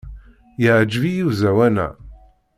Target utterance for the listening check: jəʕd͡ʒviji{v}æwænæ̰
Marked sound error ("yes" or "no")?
yes